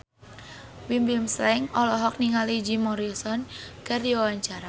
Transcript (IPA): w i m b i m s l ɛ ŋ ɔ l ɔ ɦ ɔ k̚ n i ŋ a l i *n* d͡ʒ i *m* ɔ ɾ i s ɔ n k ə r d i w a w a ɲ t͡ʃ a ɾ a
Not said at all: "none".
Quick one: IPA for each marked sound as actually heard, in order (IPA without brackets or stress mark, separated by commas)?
none, m